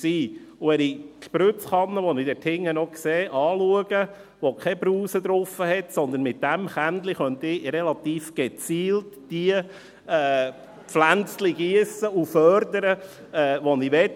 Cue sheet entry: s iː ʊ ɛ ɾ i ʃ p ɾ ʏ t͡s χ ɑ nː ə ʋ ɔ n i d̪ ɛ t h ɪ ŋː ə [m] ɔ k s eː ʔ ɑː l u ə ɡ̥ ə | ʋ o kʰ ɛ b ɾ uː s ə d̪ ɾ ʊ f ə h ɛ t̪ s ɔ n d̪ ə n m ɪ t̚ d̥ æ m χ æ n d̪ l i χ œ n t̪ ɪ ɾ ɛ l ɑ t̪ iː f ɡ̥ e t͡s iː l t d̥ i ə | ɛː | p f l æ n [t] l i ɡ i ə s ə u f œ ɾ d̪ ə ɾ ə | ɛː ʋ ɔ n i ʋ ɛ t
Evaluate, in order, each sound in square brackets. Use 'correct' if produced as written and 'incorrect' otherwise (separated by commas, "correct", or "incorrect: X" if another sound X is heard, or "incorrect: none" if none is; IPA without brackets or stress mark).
incorrect: n, incorrect: t͡s